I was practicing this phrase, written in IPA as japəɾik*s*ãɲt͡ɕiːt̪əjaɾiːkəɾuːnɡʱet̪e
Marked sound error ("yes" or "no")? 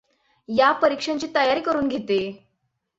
yes